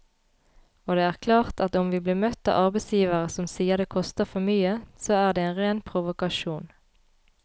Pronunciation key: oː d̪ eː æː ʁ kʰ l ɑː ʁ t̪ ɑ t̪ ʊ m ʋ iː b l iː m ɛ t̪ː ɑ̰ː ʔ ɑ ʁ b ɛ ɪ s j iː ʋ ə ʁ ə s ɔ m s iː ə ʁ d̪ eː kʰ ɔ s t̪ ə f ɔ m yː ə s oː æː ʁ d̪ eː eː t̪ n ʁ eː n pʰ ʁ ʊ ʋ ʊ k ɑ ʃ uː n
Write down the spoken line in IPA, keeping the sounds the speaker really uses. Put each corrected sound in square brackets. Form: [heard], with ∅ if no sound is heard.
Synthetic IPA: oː d̪ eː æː ʁ kʰ l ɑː ʁ t̪ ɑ t̪ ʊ m ʋ iː b l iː m [œ] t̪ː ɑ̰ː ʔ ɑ ʁ b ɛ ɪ s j iː ʋ ə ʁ ə s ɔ m s iː ə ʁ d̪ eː kʰ ɔ s t̪ ə f ɔ m yː ə s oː æː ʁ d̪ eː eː [∅] n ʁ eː n pʰ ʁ ʊ ʋ ʊ k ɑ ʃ uː n